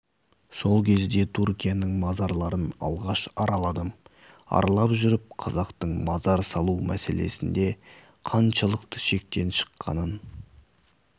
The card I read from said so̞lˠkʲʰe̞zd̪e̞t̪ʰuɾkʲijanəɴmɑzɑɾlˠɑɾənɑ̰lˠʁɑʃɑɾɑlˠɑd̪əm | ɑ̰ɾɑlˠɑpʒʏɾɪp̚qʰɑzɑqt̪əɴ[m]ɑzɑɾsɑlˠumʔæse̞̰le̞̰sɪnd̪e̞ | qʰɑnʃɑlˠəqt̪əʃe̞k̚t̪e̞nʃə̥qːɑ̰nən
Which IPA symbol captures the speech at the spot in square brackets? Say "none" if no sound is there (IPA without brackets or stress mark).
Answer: m